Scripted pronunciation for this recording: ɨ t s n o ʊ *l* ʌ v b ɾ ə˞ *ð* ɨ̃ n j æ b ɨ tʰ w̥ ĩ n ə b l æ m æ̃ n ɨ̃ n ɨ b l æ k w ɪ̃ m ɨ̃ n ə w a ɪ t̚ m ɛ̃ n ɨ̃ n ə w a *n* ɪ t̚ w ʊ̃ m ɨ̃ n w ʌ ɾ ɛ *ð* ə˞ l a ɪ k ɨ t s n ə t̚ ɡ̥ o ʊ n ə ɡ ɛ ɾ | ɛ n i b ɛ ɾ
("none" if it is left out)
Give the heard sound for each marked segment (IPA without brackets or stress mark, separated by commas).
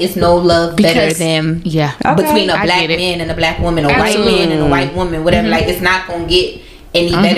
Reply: l, ð, none, v